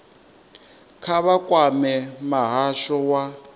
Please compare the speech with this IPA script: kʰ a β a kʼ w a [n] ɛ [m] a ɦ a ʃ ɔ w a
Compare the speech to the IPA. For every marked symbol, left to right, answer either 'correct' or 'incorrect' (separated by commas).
incorrect, correct